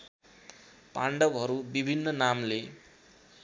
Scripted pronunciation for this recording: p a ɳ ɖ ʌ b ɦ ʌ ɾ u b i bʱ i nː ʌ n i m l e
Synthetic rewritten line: p a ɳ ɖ ʌ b ɦ ʌ ɾ u b i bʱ i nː ʌ n a m l e